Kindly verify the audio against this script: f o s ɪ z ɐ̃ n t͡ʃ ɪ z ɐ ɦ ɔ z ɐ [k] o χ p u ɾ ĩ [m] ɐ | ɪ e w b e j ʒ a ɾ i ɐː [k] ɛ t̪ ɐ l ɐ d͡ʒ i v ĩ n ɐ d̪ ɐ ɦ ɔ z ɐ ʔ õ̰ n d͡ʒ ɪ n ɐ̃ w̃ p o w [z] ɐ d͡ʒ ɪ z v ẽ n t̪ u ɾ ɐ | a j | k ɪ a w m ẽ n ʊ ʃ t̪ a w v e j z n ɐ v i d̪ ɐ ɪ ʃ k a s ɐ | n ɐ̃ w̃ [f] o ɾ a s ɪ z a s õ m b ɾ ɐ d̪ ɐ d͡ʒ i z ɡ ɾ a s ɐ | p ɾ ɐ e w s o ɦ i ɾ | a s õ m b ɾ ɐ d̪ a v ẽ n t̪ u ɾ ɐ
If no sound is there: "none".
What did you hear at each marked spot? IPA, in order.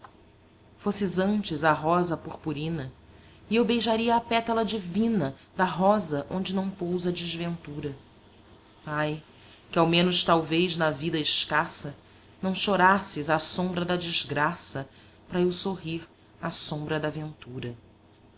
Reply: p, n, p, z, ʃ

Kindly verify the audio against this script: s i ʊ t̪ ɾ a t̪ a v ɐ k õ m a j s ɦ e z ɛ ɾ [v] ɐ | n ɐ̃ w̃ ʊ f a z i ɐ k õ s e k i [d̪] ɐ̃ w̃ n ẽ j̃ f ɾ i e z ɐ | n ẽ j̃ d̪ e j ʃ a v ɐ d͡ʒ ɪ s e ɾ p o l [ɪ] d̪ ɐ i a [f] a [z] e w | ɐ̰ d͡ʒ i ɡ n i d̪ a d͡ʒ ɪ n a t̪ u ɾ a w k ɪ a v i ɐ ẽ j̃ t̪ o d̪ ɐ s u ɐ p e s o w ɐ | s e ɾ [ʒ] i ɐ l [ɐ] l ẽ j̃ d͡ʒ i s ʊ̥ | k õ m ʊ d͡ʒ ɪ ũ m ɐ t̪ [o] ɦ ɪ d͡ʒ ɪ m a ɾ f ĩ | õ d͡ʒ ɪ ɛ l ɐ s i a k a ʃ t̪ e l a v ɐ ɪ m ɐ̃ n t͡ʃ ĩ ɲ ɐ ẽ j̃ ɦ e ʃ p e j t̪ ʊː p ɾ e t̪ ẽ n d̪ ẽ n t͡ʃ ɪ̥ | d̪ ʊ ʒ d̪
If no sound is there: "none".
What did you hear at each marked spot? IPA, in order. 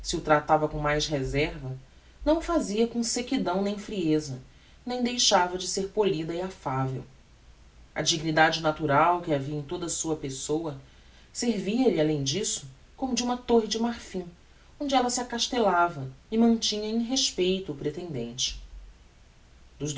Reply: v, d̪, i, f, v, v, a, o

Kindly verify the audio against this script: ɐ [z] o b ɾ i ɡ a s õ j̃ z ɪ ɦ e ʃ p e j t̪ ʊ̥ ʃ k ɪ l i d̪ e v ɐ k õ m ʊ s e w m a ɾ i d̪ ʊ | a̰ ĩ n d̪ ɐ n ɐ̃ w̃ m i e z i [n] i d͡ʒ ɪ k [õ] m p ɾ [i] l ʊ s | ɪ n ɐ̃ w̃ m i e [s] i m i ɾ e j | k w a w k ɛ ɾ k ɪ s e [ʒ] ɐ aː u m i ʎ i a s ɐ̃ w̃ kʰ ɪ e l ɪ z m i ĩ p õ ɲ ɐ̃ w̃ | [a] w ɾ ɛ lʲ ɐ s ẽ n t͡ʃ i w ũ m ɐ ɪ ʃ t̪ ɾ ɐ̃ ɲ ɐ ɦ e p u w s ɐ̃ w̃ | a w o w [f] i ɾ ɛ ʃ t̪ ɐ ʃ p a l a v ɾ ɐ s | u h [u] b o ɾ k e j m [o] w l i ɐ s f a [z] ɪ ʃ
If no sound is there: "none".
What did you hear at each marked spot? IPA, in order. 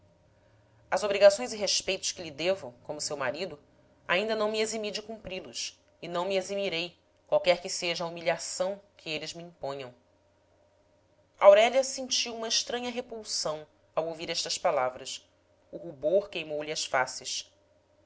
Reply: z, m, ũ, i, z, ʒ, a, v, u, o, s

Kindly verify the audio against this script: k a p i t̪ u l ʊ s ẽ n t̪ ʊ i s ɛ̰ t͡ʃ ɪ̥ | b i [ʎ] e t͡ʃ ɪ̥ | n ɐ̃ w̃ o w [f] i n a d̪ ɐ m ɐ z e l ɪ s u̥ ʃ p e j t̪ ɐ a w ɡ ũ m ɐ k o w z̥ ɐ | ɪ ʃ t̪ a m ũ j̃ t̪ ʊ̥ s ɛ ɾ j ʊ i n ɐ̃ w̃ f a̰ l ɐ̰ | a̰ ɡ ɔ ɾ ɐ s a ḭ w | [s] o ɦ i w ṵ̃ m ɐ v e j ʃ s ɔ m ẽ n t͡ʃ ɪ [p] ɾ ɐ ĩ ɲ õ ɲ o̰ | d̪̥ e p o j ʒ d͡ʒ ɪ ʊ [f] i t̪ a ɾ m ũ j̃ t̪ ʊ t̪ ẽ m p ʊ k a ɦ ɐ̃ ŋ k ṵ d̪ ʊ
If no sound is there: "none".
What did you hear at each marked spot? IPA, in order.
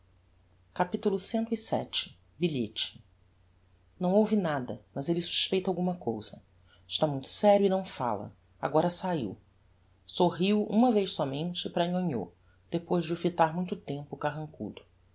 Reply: ʎ, v, s, p, f

